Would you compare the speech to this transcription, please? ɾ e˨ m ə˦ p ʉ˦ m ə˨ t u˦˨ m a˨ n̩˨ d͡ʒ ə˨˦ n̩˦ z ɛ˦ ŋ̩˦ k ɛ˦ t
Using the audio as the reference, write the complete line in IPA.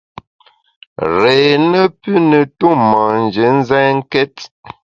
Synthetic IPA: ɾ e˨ n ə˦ p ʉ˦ n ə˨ t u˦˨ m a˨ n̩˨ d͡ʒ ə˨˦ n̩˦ z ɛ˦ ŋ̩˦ k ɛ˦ t